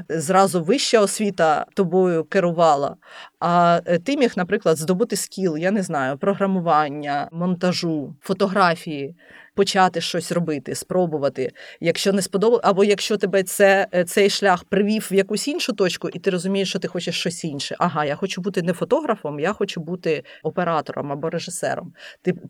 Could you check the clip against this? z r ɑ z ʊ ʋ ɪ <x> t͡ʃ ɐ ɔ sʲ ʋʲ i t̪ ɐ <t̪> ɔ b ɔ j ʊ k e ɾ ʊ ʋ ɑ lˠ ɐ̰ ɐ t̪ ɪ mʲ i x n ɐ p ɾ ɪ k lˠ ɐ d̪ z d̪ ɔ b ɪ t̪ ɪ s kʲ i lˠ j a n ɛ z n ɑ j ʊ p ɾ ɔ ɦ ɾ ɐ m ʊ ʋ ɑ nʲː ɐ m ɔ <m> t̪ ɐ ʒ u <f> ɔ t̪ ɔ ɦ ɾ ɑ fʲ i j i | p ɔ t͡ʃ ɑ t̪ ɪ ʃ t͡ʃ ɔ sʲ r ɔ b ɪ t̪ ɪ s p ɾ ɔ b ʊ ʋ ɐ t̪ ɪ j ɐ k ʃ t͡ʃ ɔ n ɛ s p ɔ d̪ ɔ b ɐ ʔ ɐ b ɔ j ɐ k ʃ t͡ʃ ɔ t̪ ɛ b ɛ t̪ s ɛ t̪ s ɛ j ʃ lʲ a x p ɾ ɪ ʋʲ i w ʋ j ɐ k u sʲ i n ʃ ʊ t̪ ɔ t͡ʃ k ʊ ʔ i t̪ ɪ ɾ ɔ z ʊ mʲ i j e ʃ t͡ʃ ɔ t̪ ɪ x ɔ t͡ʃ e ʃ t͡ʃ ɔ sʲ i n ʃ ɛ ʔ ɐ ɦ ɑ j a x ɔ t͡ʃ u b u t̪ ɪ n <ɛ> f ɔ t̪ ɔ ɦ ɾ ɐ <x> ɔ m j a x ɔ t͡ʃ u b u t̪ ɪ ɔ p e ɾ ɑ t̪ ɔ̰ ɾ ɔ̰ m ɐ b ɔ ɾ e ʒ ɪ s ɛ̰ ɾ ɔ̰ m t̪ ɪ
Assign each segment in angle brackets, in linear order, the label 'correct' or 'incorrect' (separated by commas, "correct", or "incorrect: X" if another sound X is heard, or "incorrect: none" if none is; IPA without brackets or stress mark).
incorrect: ʃ, correct, incorrect: n, correct, correct, incorrect: f